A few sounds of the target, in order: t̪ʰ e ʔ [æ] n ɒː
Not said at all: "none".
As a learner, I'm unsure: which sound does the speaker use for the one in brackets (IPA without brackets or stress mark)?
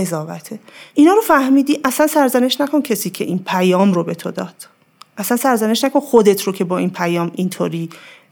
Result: i